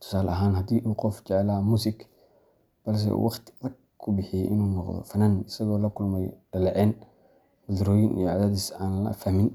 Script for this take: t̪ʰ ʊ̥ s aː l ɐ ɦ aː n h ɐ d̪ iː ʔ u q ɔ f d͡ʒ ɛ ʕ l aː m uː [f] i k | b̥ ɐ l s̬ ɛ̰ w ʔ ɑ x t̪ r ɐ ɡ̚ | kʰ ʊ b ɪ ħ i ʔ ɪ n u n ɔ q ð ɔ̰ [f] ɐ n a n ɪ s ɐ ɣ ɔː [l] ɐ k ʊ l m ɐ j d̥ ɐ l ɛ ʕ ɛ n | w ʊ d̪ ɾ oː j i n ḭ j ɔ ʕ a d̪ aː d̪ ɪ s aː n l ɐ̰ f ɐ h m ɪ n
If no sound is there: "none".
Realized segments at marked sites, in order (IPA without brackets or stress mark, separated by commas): s, f, l